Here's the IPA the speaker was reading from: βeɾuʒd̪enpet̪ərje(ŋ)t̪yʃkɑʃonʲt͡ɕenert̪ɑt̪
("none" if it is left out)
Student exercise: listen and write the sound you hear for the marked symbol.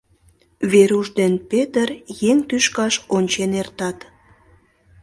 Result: ŋ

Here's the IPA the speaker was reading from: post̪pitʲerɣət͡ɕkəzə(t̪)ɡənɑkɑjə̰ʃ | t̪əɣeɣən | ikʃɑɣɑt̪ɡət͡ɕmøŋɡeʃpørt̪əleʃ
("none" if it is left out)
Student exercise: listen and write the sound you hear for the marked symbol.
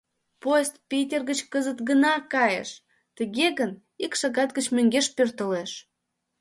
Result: t̪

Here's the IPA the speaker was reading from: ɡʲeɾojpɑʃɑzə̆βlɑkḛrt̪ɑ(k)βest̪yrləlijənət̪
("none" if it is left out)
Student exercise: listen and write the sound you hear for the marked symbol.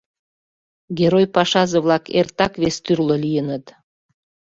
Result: k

